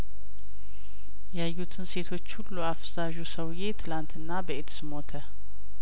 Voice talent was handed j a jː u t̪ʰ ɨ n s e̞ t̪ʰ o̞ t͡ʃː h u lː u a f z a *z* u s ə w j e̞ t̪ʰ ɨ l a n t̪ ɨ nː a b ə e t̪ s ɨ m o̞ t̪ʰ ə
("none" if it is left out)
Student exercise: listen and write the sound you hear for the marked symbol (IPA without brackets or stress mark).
ʒ